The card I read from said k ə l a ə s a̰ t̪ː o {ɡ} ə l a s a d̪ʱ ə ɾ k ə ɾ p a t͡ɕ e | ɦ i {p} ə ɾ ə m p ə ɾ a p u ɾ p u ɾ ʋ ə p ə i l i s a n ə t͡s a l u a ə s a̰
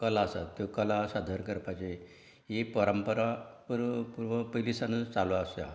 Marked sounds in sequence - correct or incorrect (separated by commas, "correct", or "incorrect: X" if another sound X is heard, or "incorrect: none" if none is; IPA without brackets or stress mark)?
incorrect: k, correct